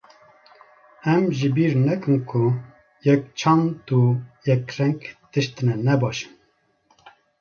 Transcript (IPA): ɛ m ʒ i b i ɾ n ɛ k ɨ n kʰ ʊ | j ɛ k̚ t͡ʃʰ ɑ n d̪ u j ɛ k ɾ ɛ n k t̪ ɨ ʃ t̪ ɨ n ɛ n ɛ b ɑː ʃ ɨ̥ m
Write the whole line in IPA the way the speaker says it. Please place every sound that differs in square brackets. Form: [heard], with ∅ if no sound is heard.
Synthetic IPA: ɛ m ʒ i b i ɾ n ɛ k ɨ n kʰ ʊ | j ɛ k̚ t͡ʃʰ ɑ n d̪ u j ɛ k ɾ ɛ [ŋ] k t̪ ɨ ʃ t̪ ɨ n ɛ n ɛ b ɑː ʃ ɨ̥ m

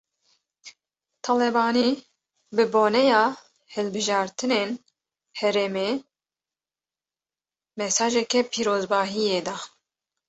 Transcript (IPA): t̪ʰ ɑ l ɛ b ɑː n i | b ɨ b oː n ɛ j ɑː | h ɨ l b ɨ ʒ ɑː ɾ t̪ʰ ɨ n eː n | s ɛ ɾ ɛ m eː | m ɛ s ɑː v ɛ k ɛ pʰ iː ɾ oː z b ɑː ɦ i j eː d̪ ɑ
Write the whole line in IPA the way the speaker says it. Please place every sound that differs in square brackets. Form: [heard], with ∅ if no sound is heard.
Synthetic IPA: t̪ʰ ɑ l ɛ b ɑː n i | b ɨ b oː n ɛ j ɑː | h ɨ l b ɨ ʒ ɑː ɾ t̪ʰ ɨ n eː n | [h] ɛ ɾ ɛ m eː | m ɛ s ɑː [ʒ] ɛ k ɛ pʰ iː ɾ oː z b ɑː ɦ i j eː d̪ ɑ

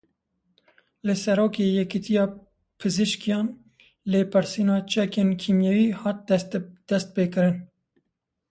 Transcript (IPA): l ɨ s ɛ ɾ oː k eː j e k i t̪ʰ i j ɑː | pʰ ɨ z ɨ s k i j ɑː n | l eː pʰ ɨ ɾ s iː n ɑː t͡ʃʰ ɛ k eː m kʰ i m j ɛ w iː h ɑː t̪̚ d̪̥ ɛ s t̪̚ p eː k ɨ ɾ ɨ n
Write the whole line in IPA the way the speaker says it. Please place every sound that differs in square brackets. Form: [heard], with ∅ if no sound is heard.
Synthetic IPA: l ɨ s ɛ ɾ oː k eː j [ɛ] k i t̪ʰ i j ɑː | pʰ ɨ z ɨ [ʃ] k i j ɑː n | l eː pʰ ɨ ɾ s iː n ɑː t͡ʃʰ ɛ k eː [n] kʰ i m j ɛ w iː h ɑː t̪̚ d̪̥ ɛ s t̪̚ p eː k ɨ ɾ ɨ n

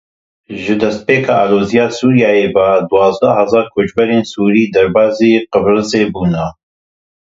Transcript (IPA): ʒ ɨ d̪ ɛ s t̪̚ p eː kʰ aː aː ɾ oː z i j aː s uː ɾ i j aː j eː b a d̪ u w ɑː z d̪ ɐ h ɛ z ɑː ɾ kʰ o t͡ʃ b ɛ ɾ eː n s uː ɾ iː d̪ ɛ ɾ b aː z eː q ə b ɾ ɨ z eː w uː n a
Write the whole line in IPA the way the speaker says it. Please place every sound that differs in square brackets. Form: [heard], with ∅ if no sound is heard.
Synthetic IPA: ʒ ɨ d̪ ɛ s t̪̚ p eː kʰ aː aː [l] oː z i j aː s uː ɾ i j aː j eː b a d̪ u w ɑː z d̪ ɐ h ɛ z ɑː ɾ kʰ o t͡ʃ b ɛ ɾ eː n s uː ɾ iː d̪ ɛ ɾ b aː z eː q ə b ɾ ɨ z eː [b] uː n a

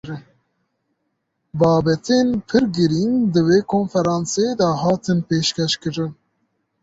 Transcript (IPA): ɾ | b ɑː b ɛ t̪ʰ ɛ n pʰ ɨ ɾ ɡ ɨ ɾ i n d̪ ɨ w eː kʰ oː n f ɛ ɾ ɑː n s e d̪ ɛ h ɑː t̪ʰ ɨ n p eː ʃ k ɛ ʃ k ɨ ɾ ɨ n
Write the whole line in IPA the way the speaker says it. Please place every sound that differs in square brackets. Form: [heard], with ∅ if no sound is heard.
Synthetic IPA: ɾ | b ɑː b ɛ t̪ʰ [e] n pʰ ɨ ɾ ɡ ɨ ɾ i n d̪ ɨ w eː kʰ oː n f ɛ ɾ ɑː n s e d̪ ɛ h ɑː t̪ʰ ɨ n p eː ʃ k ɛ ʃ k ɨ ɾ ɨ n

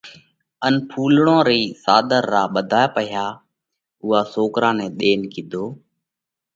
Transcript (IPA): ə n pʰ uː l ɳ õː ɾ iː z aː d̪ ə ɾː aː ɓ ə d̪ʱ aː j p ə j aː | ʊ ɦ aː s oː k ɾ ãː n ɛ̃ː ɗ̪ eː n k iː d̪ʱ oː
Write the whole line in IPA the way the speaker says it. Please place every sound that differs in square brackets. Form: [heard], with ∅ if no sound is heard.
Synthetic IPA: ə n pʰ uː l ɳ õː ɾ iː [s] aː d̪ ə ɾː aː ɓ ə d̪ʱ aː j p ə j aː | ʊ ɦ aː s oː k ɾ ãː n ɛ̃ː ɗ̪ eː n k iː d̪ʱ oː

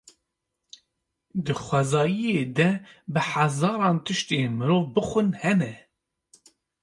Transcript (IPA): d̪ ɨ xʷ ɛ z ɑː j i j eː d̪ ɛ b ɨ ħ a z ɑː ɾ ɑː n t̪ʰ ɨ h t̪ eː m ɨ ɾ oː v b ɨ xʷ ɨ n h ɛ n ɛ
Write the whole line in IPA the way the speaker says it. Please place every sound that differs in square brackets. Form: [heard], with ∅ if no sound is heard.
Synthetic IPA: d̪ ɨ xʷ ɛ z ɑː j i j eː d̪ ɛ b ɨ ħ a z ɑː ɾ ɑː n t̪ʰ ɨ [ʃ] t̪ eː m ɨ ɾ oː v b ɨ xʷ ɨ n h ɛ n ɛ

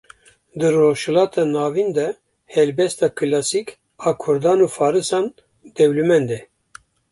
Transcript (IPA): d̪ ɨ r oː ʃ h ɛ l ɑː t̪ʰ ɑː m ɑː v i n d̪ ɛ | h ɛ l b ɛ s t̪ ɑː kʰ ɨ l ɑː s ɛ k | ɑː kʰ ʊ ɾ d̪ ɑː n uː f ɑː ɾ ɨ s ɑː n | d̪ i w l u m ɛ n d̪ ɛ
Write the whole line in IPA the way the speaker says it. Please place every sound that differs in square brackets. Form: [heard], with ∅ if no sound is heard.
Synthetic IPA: d̪ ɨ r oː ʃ h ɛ l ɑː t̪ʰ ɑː [n] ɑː v i n d̪ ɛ | h ɛ l b ɛ s t̪ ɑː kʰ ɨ l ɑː s [i] k | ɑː kʰ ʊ ɾ d̪ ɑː n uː f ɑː ɾ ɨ s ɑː n | d̪ [ɛ] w l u m ɛ n d̪ ɛ

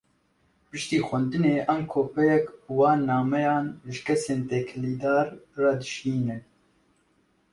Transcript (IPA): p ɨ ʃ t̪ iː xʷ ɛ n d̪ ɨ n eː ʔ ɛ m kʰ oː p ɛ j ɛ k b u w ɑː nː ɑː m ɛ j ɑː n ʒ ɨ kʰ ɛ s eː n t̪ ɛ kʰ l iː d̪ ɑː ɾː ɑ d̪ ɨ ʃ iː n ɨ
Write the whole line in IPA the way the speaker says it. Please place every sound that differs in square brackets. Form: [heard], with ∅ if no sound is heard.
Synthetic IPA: p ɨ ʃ t̪ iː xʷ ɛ n d̪ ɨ n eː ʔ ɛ m kʰ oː p ɛ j ɛ k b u w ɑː nː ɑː m ɛ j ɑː n ʒ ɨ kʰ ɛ s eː n t̪ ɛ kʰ l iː d̪ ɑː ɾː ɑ d̪ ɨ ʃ iː n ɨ

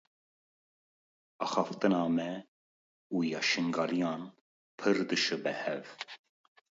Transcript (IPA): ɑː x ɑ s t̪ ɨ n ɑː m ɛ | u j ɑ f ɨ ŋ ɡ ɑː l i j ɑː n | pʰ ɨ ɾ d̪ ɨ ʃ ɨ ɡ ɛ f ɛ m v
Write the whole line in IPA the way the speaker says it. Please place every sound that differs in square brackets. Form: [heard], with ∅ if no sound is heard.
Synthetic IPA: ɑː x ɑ [f] t̪ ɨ n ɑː m ɛ | u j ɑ [ʃ] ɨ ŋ ɡ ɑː l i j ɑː n | pʰ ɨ ɾ d̪ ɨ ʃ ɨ [b] ɛ [h] ɛ [∅] v

